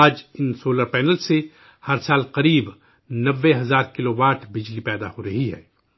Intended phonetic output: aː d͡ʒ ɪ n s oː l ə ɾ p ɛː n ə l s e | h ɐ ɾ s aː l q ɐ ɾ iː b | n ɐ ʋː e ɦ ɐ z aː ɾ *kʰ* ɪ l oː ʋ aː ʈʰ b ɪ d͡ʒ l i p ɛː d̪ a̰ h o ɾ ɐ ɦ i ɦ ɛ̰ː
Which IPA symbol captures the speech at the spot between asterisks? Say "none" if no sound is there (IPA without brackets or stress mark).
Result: k